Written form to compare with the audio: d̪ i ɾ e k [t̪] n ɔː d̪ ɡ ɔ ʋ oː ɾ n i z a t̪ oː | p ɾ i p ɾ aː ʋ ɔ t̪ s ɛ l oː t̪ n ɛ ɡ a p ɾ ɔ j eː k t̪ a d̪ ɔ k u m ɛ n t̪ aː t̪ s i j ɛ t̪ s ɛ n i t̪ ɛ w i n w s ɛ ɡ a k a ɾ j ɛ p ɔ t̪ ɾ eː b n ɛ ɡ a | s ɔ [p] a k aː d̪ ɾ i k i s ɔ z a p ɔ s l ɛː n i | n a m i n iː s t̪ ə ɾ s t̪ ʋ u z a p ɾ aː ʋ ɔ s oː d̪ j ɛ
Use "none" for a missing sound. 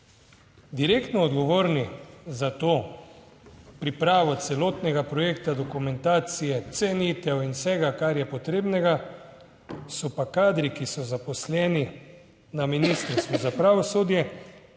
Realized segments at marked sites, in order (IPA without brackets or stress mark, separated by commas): t̪, p